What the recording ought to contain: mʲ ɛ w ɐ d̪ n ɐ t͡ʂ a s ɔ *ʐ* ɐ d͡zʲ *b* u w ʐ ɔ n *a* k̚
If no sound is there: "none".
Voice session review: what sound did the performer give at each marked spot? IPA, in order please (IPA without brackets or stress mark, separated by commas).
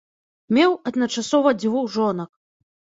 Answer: v, v, ɐ